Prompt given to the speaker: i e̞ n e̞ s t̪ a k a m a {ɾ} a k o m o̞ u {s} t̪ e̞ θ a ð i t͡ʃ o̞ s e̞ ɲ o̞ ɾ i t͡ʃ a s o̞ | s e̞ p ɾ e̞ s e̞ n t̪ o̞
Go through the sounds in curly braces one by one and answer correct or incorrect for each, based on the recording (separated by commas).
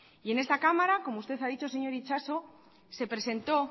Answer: correct, correct